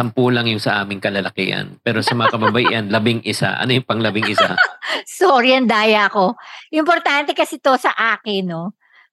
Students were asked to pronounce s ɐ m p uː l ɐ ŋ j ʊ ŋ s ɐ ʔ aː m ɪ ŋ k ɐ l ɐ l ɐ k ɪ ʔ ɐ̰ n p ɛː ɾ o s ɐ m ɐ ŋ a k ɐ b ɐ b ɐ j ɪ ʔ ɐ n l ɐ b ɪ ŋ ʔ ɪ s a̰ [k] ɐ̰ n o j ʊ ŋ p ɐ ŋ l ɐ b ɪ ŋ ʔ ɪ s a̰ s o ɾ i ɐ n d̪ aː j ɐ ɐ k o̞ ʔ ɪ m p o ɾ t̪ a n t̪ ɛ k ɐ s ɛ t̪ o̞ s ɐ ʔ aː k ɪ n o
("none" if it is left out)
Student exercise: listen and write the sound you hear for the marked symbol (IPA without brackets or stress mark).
ʔ